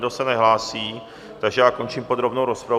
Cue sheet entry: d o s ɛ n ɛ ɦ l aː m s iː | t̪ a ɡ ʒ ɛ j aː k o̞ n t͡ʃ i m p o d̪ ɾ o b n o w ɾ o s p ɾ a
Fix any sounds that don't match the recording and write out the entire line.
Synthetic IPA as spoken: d o s ɛ n ɛ ɦ l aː s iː | t̪ a ɡ ʒ ɛ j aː k o̞ n t͡ʃ i m p o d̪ ɾ o b n o w ɾ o s p ɾ a